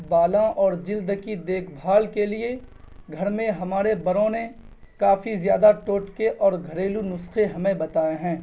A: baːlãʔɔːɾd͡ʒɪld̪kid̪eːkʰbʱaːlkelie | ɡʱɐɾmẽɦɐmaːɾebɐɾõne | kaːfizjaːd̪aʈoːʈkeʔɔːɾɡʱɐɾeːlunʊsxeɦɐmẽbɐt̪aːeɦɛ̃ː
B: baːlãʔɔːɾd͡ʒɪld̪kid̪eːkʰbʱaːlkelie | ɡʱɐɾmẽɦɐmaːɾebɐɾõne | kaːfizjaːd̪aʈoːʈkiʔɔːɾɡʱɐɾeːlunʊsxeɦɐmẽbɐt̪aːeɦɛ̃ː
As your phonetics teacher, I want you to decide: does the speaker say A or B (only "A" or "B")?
A